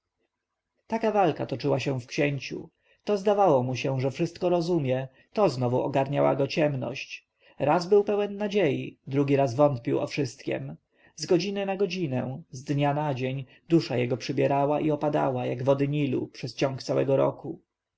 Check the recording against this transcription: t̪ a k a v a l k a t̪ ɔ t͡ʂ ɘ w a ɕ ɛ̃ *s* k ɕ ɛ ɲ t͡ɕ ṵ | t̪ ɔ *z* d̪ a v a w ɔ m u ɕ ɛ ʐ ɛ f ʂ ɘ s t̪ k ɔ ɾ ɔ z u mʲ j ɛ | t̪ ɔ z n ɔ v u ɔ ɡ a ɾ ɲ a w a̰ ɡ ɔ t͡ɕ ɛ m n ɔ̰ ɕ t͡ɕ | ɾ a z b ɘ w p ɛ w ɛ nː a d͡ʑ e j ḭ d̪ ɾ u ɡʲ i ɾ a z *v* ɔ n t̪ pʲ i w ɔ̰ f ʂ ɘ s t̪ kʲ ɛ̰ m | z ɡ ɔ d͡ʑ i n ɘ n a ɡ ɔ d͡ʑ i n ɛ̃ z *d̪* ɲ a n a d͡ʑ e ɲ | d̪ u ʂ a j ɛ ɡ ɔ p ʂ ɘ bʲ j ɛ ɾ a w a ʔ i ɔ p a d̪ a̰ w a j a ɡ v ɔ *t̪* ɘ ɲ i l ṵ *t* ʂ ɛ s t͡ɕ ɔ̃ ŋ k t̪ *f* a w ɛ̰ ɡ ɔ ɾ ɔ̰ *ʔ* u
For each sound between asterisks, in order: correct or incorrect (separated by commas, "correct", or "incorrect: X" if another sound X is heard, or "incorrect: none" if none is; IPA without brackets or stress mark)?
incorrect: f, correct, correct, correct, incorrect: d̪, incorrect: p, incorrect: s, incorrect: k